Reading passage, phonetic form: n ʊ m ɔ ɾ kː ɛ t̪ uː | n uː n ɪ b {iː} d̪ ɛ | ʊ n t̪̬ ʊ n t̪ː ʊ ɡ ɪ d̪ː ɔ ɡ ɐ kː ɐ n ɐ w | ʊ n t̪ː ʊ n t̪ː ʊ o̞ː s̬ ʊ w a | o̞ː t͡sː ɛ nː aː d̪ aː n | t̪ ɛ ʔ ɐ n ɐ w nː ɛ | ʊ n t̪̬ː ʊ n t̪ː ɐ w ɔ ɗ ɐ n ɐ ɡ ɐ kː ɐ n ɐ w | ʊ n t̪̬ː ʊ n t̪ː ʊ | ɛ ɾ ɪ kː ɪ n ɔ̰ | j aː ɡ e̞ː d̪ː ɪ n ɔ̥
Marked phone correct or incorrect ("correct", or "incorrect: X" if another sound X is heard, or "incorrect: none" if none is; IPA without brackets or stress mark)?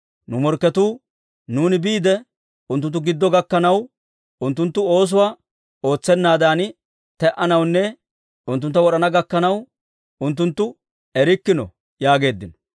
correct